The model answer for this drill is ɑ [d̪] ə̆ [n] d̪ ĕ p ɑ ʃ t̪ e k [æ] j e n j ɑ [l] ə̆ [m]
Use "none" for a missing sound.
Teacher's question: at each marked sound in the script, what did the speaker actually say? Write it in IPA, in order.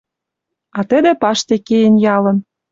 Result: t̪, none, e, l, n

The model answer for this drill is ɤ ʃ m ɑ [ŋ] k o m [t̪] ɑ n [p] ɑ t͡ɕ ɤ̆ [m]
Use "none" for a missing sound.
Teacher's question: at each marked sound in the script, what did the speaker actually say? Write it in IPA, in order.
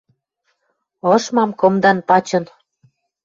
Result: m, d̪, p, n

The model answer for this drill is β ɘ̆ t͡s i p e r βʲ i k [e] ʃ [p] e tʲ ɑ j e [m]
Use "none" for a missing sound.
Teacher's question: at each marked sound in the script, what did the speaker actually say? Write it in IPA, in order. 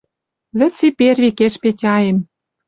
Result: e, p, m

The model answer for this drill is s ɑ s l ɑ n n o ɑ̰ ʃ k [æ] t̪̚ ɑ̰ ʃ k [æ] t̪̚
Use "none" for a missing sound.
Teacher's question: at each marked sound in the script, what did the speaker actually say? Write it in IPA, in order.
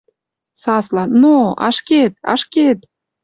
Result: e, e

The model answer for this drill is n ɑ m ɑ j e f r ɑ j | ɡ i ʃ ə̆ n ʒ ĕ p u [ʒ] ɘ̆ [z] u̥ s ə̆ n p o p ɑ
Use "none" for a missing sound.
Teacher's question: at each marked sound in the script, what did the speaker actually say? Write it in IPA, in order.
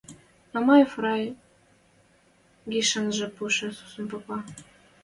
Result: ʃ, s

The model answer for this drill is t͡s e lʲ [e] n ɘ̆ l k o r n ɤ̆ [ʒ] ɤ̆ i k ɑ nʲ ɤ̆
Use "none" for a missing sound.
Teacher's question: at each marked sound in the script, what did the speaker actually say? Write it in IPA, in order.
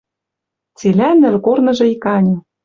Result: æ, ʒ

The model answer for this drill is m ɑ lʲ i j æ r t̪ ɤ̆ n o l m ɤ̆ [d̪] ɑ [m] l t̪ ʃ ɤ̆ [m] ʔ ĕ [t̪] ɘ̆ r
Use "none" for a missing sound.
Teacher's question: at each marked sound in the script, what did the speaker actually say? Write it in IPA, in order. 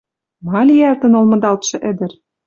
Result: d̪, none, none, d̪

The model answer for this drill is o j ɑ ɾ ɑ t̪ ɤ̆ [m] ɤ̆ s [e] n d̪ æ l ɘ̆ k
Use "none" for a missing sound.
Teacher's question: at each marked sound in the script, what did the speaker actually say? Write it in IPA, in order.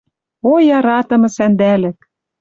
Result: m, æ

